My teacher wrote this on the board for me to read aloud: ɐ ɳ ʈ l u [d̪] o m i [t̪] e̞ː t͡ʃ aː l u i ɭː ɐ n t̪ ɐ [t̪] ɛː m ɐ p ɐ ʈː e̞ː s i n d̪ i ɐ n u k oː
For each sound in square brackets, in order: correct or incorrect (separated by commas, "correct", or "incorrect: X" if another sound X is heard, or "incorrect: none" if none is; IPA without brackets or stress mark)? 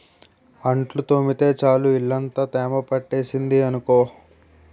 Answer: incorrect: t̪, correct, correct